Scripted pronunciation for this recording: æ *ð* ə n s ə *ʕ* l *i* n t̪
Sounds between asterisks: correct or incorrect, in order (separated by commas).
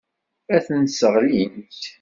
incorrect, incorrect, correct